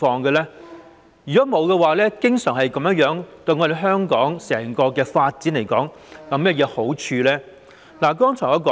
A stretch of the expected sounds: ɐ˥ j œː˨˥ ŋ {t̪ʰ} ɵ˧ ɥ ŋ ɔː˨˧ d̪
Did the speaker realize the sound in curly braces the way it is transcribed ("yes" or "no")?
no